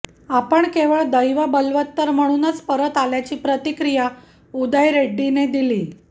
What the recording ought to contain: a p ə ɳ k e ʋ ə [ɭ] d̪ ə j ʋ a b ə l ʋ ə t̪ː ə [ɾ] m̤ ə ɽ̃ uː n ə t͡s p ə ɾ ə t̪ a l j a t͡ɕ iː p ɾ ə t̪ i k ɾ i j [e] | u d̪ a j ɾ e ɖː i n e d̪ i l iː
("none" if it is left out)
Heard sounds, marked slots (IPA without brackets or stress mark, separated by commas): ɭ, ɾ, a